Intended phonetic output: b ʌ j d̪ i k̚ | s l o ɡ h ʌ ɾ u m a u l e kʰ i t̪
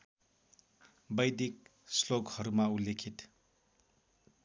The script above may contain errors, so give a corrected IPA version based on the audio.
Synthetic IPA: b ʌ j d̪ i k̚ | s l o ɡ h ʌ ɾ u m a u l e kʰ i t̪